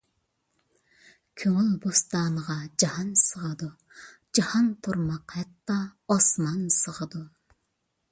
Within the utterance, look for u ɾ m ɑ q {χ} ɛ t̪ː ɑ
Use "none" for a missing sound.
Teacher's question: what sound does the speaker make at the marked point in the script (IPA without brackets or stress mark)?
h